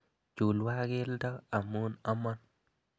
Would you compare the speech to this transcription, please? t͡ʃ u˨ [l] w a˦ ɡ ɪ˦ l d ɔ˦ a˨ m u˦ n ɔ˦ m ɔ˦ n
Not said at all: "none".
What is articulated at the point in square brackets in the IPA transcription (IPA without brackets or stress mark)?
l